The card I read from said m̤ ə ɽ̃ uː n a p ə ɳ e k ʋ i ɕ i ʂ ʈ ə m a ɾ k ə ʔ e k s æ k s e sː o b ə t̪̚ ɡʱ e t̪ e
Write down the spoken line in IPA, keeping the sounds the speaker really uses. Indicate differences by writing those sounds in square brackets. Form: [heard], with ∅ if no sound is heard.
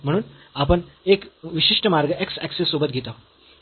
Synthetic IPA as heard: m̤ ə ɽ̃ uː n a p ə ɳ e k ʋ i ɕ i ʂ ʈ ə m a ɾ [ɡ] ə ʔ e k s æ k s e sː o b ə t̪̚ ɡʱ e t̪ [a]